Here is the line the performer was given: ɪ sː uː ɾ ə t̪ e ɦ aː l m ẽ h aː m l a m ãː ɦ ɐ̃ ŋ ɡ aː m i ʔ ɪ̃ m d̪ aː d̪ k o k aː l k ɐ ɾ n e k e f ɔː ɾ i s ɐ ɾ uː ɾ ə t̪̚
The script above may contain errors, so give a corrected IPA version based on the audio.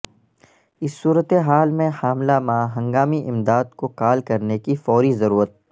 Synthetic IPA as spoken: ɪ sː uː ɾ ə t̪ e ɦ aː l m ẽ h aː m l a m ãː ɦ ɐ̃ ŋ ɡ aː m i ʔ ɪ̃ m d̪ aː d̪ k o k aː l k ɐ ɾ n e k i f ɔː ɾ i z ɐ ɾ uː ɾ ə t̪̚

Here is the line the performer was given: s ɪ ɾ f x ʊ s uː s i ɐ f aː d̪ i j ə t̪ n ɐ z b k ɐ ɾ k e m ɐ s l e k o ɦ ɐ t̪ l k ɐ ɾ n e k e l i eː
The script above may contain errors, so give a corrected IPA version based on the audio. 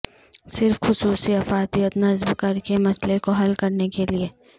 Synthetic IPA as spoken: s ɪ ɾ f x ʊ s uː s i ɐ f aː t̪ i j ə t̪ n ɐ z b k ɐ ɾ k e m ɐ s l e k o ɦ ɐ l k ɐ ɾ n e k e l i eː

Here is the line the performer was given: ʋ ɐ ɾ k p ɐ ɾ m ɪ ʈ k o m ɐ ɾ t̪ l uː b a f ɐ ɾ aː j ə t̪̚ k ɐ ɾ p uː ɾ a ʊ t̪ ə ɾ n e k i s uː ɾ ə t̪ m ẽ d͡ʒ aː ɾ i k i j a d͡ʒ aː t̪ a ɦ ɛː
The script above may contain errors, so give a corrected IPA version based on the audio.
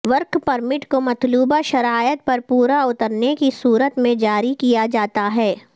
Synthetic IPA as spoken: ʋ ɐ ɾ k p ɐ ɾ m ɪ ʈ k o m ɐ t̪ l uː b a ʃ ɐ ɾ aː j ə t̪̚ p ɐ ɾ p uː ɾ a ʊ t̪ ə ɾ n e k i s uː ɾ ə t̪ m ẽ d͡ʒ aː ɾ i k i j a d͡ʒ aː t̪ a ɦ ɛː

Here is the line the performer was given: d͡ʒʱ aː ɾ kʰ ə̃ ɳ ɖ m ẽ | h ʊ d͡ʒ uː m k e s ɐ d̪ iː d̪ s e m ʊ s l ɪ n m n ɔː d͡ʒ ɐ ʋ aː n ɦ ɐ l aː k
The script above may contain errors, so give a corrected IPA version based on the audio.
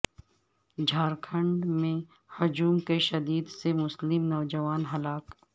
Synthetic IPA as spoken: d͡ʒʱ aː ɾ kʰ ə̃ ɳ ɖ m ẽ | h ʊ d͡ʒ uː m k e ʃ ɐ d̪ iː d̪ s e m ʊ s l ɪ m n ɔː d͡ʒ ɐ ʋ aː n ɦ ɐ l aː k

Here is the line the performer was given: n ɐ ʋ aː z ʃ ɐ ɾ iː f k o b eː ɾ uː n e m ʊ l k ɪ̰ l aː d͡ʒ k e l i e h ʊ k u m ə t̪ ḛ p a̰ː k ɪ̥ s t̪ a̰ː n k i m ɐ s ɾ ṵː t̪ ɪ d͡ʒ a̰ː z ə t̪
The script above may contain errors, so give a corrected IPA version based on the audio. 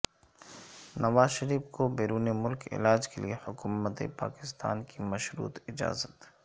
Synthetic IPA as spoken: n ɐ ʋ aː z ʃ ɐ ɾ iː f k o b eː ɾ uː n e m ʊ l k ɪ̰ l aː d͡ʒ k e l i e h ʊ k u m ə t̪ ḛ p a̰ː k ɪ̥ s t̪ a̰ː n k i m ɐ ʃ ɾ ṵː t̪ ɪ d͡ʒ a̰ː z ə t̪

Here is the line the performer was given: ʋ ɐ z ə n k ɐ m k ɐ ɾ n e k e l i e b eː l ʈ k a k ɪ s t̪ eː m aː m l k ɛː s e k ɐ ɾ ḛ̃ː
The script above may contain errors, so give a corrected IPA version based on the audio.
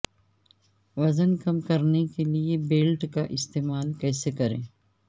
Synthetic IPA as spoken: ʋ ɐ z ə n k ɐ m k ɐ ɾ n e k e l i e b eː l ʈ k a ʔ ɪ s t̪ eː m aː l k ɛː s e k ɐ ɾ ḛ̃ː

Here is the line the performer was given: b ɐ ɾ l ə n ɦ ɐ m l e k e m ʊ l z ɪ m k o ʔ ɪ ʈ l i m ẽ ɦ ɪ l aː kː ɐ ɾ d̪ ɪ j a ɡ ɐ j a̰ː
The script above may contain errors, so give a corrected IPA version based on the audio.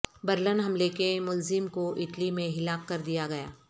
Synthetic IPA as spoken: b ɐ ɾ l ə n ɦ ɐ m l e k e m ʊ l z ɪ m k o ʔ ɪ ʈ l i m ẽ ɦ ɪ l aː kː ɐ ɾ d̪ i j a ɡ ɐ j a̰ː

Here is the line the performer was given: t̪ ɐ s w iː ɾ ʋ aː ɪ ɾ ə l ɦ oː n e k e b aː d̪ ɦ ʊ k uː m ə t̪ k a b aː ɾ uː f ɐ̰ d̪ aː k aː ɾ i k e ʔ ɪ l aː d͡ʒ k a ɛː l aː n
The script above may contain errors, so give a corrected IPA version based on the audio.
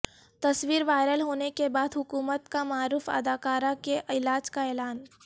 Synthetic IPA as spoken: t̪ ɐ s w iː ɾ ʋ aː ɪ ɾ ə l ɦ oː n e k e b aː d̪ ɦ ʊ k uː m ə t̪ k a m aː ɾ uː f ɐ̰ d̪ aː k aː ɾ a k e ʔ ɪ l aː d͡ʒ k a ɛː l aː n

